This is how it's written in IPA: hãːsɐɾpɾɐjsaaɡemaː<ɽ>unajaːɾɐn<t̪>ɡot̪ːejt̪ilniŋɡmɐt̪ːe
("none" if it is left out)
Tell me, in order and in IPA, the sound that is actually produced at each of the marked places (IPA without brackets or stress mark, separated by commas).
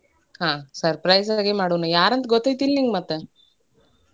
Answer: ɽ, t̪